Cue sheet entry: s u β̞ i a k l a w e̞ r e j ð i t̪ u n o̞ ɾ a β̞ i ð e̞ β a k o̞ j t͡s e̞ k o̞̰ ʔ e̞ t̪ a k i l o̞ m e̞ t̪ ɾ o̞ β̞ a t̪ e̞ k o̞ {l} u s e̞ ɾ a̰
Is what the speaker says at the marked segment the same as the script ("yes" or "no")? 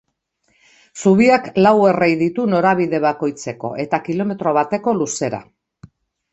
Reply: yes